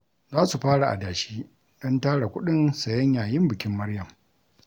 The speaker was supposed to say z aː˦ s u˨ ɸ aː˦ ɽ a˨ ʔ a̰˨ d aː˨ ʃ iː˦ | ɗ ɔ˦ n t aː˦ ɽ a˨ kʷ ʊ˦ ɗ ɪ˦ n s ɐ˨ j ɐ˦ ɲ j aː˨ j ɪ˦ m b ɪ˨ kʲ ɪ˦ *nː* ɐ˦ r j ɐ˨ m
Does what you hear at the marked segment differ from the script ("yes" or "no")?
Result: yes